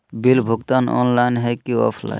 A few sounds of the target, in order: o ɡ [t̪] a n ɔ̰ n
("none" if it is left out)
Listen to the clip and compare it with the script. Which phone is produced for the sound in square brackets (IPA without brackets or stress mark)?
t̪